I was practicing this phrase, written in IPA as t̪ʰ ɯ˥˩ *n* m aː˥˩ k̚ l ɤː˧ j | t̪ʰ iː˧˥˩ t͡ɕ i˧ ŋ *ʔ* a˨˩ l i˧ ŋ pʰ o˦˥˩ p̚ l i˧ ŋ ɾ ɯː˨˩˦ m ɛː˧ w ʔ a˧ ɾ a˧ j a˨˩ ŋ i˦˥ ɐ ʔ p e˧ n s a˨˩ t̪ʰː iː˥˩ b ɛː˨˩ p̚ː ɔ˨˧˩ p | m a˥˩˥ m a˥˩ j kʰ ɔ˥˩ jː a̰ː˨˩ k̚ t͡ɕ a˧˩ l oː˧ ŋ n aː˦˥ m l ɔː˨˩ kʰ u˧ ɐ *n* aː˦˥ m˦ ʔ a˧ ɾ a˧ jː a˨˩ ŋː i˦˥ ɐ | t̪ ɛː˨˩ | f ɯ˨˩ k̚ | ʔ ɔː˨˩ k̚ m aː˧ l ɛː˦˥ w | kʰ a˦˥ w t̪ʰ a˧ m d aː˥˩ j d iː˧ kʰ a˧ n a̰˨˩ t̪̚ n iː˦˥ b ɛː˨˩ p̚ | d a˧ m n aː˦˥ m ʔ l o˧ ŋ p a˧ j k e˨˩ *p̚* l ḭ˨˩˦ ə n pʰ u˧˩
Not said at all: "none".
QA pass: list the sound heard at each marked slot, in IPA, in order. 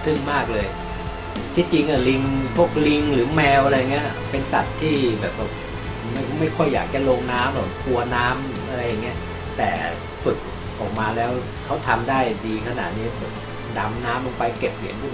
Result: ŋ, ʔ, n, p̚

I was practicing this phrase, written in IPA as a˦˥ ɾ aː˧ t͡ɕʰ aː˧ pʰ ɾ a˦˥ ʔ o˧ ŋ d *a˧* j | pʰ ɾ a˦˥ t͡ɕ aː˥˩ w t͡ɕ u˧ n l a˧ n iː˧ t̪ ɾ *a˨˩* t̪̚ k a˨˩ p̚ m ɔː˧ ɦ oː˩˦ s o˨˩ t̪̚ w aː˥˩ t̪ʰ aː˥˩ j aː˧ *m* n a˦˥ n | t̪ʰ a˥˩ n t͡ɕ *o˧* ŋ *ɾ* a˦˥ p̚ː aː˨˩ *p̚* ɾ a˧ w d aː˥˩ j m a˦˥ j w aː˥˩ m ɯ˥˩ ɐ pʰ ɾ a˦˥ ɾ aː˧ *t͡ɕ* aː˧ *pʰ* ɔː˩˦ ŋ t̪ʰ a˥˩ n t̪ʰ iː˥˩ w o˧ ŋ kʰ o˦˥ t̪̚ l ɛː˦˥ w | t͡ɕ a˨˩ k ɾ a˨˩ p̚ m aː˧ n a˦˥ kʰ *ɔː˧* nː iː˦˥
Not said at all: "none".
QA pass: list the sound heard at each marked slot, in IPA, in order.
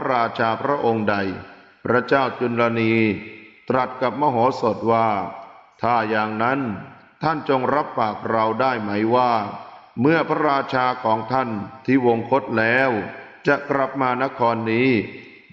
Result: a˧, a˨˩, ŋ, o˧, ɾ, k̚, t͡ɕʰ, kʰ, ɔː˧

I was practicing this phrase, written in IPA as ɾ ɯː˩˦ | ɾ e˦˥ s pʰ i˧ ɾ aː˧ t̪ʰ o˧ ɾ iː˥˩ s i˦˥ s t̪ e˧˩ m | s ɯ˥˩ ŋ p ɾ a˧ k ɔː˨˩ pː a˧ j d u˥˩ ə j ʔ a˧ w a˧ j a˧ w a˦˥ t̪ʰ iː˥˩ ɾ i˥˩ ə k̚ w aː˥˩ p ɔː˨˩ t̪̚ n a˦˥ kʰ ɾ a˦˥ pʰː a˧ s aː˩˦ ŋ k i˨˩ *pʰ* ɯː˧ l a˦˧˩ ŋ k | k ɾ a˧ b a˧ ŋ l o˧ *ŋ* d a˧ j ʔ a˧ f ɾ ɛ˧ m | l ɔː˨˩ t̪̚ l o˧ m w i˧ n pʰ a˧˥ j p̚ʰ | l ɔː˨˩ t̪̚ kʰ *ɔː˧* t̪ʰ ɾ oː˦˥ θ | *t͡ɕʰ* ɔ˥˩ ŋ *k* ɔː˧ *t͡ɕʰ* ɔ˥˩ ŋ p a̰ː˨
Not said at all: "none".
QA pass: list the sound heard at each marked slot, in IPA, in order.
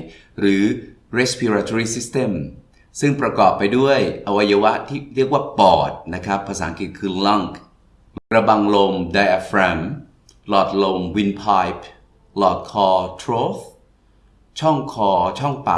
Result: kʰ, m, ɔː˧, t͡ɕʰ, kʰ, t͡ɕʰ

